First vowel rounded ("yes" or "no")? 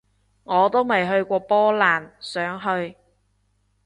yes